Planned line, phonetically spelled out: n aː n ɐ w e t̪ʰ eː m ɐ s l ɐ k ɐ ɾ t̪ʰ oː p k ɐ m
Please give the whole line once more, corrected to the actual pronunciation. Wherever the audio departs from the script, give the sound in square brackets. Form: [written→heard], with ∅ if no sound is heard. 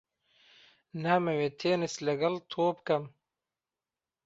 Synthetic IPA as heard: n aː [n→m] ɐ w e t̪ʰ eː [m→n] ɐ s l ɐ [k→ɡ] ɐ [ɾ→l] t̪ʰ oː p k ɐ m